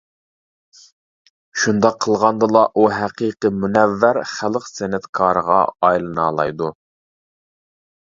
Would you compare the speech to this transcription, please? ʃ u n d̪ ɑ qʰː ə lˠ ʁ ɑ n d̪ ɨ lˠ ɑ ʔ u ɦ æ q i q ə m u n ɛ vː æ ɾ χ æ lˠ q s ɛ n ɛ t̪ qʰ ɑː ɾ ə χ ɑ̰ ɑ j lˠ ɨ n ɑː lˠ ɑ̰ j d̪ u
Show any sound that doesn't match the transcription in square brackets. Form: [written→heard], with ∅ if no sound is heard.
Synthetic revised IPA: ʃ u n d̪ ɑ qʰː ə lˠ ʁ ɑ n d̪ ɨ lˠ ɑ ʔ u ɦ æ q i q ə m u n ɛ vː æ ɾ χ æ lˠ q s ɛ n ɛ t̪ [qʰ→kʰ] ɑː ɾ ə [χ→ʁ] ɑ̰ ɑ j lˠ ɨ n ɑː lˠ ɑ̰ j d̪ u